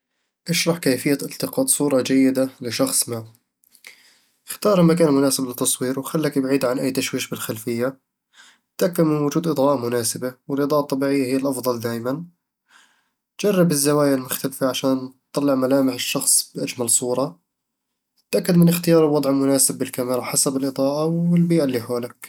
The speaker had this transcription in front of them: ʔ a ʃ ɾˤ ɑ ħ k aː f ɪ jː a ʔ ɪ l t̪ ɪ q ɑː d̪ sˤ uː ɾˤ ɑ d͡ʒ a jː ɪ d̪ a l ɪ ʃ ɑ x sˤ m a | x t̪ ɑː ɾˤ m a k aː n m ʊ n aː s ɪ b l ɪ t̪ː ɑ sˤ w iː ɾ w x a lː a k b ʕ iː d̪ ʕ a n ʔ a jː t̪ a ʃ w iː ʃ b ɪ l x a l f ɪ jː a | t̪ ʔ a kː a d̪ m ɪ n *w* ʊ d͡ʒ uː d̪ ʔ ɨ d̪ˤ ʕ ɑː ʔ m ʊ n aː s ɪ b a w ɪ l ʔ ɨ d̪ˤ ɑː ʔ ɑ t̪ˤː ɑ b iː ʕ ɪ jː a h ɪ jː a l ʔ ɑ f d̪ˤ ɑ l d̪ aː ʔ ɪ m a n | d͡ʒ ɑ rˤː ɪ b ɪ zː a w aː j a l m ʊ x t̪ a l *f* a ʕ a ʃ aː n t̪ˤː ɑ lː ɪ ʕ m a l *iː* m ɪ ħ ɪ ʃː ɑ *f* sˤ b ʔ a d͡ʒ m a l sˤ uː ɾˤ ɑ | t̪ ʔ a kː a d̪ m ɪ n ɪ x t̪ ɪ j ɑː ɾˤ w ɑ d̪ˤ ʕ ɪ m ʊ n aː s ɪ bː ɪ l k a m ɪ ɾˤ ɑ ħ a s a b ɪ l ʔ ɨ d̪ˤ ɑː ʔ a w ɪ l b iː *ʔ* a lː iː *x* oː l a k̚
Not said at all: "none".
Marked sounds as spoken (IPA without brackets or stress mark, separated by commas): w, f, aː, x, ʔ, ħ